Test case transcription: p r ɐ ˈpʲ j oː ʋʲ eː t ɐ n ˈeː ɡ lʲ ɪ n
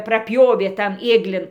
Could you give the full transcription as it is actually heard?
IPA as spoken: p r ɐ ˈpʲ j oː ʋʲ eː t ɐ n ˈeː ɡ lʲ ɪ n